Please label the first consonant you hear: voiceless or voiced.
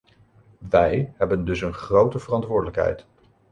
voiced